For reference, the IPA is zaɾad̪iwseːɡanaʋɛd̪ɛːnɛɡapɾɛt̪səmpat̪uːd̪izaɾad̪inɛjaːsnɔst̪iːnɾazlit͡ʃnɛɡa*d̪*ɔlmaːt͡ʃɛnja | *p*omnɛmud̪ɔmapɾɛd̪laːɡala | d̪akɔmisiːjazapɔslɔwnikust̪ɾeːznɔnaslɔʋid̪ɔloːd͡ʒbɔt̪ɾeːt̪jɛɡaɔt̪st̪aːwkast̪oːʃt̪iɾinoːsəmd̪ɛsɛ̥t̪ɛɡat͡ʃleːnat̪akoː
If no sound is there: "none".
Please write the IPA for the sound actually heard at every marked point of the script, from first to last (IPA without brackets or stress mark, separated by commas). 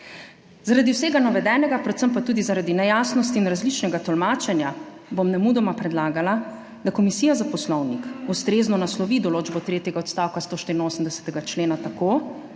t̪, b